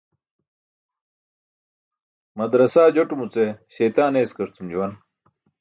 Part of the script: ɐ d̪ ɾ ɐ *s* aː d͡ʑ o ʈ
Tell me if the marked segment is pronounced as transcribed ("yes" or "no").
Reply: yes